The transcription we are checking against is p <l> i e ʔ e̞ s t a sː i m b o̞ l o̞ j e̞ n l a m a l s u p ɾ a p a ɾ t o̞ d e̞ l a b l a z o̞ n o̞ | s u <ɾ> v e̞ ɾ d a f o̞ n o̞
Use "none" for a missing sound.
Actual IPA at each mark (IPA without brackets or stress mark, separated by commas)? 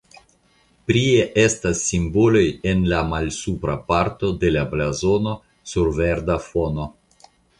ɾ, ɾ